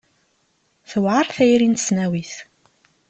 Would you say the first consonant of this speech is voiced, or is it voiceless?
voiceless